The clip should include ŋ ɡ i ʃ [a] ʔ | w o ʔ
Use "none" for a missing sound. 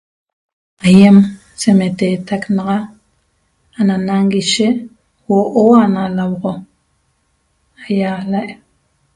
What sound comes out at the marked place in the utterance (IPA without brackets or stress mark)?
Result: e